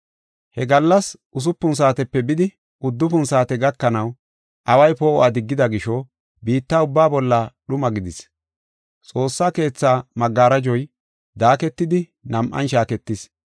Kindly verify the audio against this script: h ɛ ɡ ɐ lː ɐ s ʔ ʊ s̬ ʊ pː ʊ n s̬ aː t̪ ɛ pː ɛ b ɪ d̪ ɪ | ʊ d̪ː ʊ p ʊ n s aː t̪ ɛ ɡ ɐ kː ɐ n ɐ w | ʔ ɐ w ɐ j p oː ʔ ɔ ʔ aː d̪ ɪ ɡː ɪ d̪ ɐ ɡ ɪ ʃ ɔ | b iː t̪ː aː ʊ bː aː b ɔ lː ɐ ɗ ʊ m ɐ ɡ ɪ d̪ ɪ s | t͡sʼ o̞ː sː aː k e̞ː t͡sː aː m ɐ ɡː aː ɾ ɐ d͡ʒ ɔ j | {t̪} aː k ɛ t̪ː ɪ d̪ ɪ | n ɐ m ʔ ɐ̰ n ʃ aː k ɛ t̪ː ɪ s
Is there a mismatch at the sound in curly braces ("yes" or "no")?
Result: yes